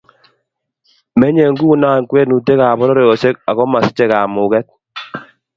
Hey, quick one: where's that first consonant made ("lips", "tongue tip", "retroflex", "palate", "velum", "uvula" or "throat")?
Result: lips